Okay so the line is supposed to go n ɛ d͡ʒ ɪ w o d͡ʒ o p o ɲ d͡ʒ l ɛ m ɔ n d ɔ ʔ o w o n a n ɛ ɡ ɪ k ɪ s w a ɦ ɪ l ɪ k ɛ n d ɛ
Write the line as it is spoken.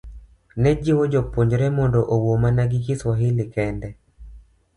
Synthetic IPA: n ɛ d͡ʒ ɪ w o d͡ʒ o p o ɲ d͡ʒ ɾ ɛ m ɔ n d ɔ ʔ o w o m a n a ɡ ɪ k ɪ s w a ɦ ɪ l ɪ k ɛ n d ɛ